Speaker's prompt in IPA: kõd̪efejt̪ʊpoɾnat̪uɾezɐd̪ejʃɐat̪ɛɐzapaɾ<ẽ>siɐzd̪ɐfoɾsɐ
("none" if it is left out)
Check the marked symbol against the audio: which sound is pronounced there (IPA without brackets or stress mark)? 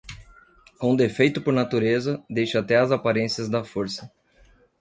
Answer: ẽ